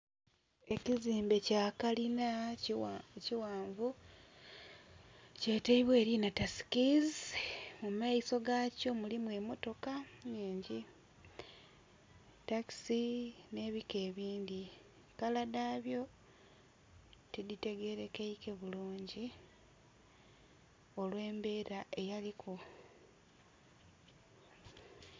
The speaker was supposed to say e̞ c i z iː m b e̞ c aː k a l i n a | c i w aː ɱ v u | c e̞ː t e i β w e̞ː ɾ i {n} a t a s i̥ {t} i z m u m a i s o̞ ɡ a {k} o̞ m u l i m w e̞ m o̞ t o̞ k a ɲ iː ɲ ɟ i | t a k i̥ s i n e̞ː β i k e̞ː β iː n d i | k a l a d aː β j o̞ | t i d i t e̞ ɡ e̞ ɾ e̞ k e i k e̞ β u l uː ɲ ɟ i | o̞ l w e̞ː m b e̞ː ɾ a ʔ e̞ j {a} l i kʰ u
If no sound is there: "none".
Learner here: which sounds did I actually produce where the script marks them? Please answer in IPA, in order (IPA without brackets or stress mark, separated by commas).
n, k, c, a